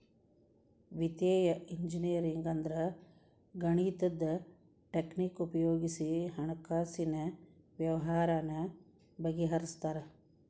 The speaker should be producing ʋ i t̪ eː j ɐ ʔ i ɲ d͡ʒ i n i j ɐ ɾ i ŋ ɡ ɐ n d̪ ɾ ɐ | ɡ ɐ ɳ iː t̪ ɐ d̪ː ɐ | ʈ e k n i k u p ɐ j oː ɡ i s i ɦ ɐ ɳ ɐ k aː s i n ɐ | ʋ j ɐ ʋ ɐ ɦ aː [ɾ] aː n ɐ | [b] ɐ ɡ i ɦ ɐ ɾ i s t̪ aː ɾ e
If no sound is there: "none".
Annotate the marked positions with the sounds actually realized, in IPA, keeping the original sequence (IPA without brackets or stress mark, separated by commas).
ɾ, b